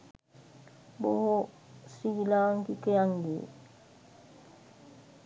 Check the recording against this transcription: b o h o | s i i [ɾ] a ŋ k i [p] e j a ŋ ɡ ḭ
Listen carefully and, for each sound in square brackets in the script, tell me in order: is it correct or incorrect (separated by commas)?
incorrect, incorrect